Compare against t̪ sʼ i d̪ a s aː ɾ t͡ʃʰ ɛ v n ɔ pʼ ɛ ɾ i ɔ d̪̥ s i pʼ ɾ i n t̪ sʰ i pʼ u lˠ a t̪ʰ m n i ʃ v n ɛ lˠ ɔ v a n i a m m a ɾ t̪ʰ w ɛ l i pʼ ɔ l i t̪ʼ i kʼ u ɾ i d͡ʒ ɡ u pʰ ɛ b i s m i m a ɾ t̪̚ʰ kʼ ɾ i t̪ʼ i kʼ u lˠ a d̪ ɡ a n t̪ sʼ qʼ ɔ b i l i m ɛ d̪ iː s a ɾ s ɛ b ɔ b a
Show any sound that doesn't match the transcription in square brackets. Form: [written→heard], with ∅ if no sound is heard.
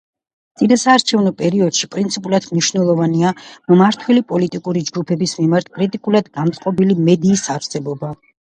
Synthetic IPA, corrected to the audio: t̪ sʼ i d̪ a s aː ɾ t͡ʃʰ ɛ v n ɔ pʼ ɛ ɾ i ɔ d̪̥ [s→ʃ] i pʼ ɾ i n t̪ sʰ i pʼ u lˠ a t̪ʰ m n i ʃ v n ɛ lˠ ɔ v a n i a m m a ɾ t̪ʰ w ɛ l i pʼ ɔ l i t̪ʼ i kʼ u ɾ i d͡ʒ ɡ u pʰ ɛ b i s m i m a ɾ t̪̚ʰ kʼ ɾ i t̪ʼ i kʼ u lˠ a d̪ ɡ a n t̪ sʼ qʼ ɔ b i l i m ɛ d̪ iː s a ɾ s ɛ b ɔ b a